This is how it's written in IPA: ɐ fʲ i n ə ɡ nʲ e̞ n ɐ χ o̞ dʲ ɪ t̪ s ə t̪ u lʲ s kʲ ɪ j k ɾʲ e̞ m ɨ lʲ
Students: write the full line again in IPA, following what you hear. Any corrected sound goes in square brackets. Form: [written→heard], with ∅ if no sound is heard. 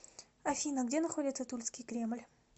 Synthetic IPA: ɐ fʲ i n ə ɡ [nʲ→dʲ] e̞ n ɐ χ o̞ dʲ ɪ t̪ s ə t̪ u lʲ s kʲ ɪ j k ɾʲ e̞ m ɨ lʲ

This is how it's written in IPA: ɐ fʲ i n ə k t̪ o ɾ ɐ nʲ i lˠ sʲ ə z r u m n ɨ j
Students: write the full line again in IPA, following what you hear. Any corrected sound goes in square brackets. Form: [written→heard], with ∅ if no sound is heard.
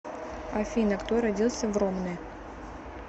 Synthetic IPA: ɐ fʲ i n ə k t̪ o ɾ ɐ [nʲ→dʲ] i lˠ sʲ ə [z→v] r [u→o] m n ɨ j

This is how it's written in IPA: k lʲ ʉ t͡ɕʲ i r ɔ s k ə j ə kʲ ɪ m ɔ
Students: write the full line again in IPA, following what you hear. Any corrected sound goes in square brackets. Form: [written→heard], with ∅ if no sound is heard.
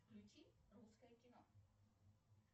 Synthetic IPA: k lʲ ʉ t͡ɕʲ i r [ɔ→u] s k ə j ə kʲ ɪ [m→n] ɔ

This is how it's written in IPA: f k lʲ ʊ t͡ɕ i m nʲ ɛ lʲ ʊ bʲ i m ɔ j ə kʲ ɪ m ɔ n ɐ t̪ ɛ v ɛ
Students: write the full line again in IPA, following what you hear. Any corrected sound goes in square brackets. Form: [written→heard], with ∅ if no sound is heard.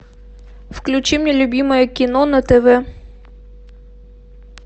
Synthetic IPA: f k lʲ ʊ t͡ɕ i m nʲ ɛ lʲ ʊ bʲ i m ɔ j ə kʲ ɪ [m→n] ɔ n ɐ t̪ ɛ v ɛ

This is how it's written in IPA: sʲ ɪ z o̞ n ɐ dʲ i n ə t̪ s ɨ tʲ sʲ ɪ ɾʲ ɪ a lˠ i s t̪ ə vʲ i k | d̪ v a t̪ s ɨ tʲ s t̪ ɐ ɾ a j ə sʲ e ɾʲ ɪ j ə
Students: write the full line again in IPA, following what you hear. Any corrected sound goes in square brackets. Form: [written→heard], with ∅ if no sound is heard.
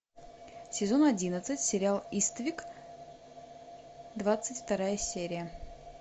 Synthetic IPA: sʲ ɪ z o̞ n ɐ dʲ i n ə t̪ s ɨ tʲ sʲ ɪ ɾʲ ɪ a lˠ i s t̪ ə vʲ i k | d̪ v a t̪ s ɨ tʲ [s→f] t̪ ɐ ɾ a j ə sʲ e ɾʲ ɪ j ə

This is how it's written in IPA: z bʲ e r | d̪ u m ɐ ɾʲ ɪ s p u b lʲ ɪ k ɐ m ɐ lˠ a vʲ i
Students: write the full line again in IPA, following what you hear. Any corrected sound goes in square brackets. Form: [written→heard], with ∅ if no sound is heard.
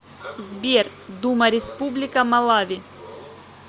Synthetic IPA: z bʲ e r | d̪ u m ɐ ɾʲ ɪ s p u b lʲ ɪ k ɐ m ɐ lˠ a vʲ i

